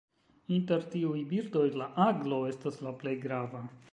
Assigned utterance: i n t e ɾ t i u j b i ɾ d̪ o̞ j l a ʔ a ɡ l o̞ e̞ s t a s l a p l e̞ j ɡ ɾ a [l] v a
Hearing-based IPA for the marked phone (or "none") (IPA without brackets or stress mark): none